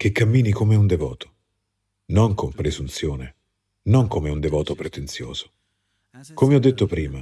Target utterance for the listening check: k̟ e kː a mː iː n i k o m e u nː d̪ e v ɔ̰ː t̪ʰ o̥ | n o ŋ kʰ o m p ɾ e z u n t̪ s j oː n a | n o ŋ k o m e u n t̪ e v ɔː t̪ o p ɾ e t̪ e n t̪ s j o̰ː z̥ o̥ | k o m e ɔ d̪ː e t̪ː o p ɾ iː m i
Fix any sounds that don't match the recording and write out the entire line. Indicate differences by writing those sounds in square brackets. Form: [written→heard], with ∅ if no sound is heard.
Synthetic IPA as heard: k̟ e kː a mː iː n i k o m e u [nː→n] d̪ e v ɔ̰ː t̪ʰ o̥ | n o ŋ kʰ o m p ɾ e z u n t̪ s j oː n [a→e] | n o ŋ k o m e u n [t̪→d̪] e v ɔː t̪ o p ɾ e t̪ e n t̪ s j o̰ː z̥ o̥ | k o m e ɔ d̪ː e t̪ː o p ɾ iː m [i→a]